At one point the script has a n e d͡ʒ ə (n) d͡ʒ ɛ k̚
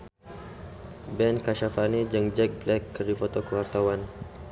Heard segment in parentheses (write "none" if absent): ŋ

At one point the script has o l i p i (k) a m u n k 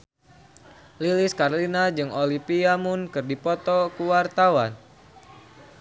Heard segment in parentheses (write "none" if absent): none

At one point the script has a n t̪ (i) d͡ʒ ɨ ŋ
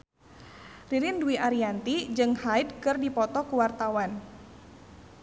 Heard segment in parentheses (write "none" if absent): i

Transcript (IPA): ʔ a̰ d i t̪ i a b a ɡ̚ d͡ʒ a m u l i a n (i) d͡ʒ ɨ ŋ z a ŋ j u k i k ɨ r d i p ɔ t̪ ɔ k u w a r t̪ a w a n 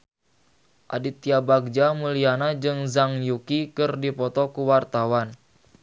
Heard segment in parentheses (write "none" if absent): a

